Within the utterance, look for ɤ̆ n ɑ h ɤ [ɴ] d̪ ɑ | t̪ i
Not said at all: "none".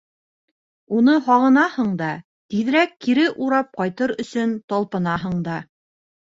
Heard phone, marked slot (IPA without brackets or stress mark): ɴ